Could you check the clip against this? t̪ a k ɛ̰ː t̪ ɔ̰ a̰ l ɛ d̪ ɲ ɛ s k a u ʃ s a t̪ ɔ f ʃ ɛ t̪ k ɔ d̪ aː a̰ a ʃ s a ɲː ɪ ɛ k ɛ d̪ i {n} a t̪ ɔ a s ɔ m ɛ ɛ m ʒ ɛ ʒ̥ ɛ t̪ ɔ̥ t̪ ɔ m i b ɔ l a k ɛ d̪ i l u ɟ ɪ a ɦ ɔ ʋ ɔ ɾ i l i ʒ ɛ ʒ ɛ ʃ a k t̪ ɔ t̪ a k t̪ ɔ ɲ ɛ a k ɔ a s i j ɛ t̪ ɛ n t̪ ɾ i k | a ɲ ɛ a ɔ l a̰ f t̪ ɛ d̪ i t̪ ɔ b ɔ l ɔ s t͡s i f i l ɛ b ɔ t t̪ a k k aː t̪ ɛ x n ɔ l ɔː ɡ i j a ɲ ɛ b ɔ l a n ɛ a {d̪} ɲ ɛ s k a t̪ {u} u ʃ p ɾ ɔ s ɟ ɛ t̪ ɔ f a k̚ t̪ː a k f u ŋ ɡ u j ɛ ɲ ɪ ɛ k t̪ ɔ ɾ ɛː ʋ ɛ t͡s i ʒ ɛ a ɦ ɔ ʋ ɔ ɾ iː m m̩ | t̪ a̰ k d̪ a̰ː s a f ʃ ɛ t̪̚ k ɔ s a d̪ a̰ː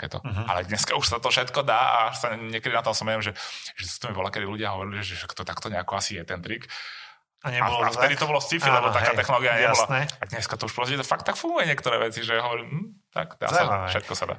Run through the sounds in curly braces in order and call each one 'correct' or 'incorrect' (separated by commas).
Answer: correct, correct, incorrect